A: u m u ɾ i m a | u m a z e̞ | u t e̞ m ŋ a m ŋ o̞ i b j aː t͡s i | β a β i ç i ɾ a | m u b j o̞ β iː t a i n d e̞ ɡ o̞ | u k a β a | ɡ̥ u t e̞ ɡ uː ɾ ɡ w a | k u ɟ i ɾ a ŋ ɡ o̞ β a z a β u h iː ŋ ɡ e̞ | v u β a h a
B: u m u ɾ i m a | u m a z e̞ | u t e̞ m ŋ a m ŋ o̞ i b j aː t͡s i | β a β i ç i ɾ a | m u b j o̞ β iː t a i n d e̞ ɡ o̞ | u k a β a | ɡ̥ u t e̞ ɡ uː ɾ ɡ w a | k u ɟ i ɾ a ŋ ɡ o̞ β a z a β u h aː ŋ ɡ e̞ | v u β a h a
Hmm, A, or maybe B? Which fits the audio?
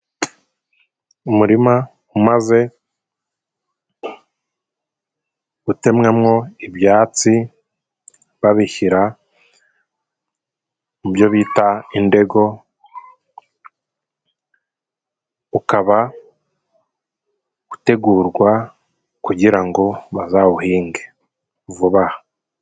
A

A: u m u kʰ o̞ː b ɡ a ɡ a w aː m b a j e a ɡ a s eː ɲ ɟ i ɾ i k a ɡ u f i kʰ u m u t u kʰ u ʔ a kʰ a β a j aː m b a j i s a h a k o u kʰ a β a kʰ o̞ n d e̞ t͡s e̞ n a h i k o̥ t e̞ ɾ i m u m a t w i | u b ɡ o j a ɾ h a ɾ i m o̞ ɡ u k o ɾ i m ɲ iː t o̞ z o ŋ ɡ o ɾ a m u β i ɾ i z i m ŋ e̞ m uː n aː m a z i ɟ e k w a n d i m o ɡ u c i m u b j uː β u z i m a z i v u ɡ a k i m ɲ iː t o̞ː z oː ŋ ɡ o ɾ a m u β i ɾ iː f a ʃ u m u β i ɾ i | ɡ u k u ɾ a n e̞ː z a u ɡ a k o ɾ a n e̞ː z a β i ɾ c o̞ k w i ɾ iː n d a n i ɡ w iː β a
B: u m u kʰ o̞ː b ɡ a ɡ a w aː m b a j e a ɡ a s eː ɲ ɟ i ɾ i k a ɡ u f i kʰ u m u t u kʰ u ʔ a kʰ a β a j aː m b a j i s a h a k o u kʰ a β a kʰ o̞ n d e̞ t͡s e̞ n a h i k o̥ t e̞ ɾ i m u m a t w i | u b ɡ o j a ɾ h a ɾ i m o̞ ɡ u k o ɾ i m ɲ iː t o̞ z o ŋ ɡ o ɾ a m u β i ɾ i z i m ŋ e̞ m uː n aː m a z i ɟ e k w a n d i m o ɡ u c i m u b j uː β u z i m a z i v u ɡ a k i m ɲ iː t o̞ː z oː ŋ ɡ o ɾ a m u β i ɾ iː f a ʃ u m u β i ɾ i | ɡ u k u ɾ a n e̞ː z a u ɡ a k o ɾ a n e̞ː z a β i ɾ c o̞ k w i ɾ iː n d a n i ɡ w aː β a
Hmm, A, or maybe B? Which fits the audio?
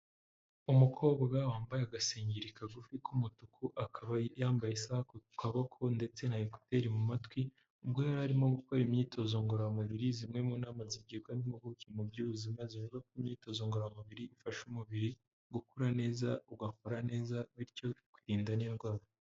B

